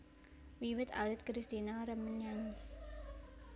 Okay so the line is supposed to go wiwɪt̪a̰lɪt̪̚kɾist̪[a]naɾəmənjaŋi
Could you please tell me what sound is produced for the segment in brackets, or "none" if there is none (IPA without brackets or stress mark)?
i